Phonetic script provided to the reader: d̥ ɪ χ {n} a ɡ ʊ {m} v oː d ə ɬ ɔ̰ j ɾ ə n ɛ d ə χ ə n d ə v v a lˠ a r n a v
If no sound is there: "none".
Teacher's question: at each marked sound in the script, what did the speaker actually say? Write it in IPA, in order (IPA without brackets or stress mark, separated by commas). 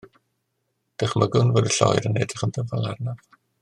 m, n